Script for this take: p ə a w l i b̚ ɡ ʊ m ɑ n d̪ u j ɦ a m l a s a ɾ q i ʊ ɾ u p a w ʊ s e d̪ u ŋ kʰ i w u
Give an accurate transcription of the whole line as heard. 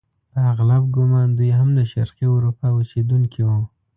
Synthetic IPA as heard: p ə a ɣ l a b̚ ɡ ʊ m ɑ n d̪ u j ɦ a m l a ʃ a ɾ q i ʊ ɾ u p a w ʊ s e d̪ u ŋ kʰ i w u